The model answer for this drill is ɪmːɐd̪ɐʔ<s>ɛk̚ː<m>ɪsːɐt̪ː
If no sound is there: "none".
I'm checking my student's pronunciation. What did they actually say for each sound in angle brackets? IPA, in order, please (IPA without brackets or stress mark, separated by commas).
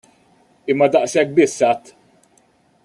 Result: s, b